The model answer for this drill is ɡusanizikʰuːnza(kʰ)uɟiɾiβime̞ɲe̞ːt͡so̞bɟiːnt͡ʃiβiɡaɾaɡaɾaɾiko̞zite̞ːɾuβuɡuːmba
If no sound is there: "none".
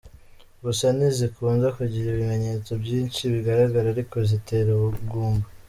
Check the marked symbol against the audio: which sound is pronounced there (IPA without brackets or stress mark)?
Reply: k